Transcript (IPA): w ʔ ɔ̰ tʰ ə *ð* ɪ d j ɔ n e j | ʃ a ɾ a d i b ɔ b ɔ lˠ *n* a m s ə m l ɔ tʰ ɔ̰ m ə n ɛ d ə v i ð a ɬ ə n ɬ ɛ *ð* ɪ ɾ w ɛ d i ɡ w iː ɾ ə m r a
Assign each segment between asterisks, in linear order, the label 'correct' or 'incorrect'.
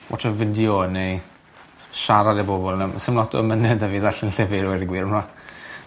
incorrect, correct, incorrect

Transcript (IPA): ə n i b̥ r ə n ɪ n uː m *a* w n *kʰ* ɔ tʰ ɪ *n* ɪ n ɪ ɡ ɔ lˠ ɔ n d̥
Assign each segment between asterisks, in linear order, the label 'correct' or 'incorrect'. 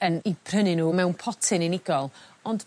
incorrect, incorrect, correct

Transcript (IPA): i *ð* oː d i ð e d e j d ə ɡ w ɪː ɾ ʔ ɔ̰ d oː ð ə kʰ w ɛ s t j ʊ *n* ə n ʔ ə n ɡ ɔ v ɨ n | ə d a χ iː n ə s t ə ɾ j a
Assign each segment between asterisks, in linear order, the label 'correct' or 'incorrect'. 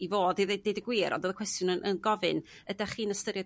incorrect, correct

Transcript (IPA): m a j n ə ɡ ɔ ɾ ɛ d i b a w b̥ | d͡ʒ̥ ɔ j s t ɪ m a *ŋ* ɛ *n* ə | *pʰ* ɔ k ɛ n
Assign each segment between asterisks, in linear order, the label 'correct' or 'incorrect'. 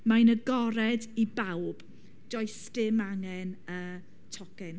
correct, correct, incorrect

